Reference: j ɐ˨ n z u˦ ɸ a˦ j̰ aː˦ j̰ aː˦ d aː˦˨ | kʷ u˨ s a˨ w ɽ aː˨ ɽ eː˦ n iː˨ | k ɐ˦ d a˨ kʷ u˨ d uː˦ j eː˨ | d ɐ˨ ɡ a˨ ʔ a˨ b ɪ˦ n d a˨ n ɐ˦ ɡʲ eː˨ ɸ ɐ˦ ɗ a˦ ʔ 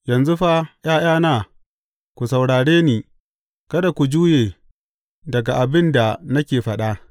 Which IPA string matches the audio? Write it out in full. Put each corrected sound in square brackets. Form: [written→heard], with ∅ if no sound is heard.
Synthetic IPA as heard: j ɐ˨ n z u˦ ɸ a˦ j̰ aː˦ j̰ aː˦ [d→n] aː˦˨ | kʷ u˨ s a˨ w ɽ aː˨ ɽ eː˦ n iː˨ | k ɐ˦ d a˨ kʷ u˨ [d→d͡ʒ] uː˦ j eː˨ | d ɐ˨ ɡ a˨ ʔ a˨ b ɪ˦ n d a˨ n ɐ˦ [ɡʲ→kʲ] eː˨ ɸ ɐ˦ ɗ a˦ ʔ